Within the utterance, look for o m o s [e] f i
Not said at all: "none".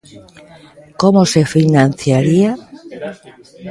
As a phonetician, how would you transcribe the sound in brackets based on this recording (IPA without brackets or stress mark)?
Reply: e